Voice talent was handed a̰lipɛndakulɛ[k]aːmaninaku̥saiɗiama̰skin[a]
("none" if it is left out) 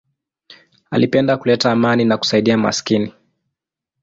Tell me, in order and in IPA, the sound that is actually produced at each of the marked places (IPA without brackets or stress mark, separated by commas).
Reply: t, i